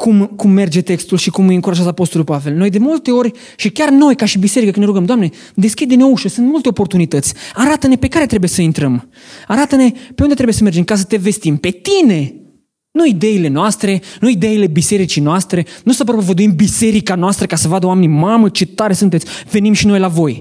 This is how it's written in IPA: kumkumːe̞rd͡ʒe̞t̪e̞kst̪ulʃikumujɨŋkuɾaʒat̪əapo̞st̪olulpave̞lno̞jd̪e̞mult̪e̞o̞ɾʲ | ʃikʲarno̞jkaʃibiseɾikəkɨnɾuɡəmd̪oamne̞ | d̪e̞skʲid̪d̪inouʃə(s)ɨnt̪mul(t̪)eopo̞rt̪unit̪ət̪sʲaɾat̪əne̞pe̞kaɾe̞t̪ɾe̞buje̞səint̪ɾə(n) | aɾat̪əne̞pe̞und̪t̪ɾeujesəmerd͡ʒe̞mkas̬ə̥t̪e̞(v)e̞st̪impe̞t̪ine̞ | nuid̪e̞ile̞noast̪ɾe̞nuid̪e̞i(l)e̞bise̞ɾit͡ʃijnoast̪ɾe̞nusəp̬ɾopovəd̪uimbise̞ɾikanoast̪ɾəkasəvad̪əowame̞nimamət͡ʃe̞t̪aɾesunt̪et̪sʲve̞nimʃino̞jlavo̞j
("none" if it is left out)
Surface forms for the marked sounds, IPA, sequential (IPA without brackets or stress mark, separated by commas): s, t̪, m, v, l